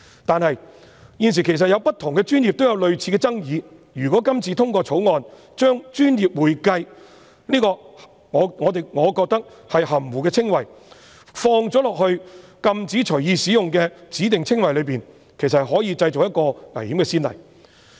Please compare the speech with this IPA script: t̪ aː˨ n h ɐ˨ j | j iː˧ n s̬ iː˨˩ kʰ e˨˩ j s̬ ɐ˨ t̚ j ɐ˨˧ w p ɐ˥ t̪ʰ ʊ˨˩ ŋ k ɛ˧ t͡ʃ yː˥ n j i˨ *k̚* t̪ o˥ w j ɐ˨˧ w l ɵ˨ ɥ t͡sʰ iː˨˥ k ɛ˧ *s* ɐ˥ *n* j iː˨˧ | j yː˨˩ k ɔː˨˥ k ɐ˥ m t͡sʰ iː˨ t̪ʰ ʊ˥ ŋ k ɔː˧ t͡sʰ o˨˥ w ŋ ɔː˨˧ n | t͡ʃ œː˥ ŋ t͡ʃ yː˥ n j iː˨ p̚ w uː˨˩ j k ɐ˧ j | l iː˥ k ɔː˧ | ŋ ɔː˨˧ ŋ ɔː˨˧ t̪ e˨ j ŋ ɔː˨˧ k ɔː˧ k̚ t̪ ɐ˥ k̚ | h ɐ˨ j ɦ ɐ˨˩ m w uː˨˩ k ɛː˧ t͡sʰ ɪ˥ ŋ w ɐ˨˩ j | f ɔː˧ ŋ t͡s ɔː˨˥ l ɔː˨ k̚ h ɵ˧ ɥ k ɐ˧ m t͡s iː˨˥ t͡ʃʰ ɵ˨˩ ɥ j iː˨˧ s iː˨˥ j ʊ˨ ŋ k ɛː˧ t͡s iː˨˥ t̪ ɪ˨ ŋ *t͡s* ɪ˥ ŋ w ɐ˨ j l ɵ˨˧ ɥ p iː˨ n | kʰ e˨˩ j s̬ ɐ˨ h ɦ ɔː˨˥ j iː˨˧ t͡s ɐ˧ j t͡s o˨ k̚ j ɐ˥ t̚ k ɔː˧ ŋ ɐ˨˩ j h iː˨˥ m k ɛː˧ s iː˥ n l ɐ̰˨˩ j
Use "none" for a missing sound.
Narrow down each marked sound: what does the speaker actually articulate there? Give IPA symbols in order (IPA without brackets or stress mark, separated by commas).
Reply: p̚, t͡s, ŋ, t͡sʰ